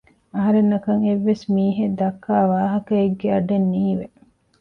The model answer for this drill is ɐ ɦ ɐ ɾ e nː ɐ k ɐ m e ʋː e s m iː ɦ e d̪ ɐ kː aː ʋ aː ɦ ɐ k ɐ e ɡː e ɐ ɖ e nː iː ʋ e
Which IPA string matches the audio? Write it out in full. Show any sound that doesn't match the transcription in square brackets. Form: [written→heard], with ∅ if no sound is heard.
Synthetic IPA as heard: ɐ ɦ ɐ ɾ e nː ɐ k ɐ [m→ŋ] e ʋː e s m iː ɦ e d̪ ɐ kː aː ʋ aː ɦ ɐ k ɐ e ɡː e ɐ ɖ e nː iː ʋ e